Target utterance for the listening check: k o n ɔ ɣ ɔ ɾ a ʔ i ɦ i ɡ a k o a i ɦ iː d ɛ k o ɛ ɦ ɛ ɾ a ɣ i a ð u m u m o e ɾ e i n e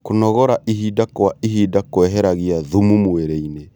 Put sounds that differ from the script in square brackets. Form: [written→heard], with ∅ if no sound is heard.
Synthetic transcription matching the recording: k o n ɔ ɣ ɔ ɾ a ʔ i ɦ i [ɡ→d] a k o a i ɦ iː d [ɛ→a] k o ɛ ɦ ɛ ɾ a ɣ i a ð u m u m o e ɾ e i n e